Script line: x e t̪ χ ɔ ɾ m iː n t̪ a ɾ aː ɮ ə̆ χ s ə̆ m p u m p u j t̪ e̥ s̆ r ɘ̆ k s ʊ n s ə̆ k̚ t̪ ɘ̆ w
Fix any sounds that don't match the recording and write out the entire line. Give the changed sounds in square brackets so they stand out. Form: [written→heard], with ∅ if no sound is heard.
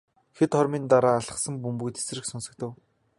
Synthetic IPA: x e t̪ χ ɔ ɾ m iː n t̪ a ɾ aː ɮ ə̆ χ s ə̆ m p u m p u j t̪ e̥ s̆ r ɘ̆ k s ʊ n s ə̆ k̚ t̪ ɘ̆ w